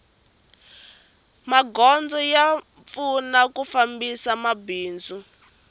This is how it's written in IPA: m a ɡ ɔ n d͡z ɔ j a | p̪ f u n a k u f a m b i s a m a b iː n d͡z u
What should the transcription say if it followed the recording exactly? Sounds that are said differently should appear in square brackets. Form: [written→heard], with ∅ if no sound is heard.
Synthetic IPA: m a ɡ ɔ n d͡z ɔ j a | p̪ f u n a k u f a m b i s a m a b iː n d͡z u